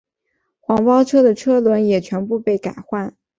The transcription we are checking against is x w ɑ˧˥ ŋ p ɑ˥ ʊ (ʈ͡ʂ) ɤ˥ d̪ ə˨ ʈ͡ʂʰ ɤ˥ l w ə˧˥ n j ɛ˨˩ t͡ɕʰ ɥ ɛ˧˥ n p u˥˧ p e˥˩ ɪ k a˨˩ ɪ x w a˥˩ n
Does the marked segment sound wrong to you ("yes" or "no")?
yes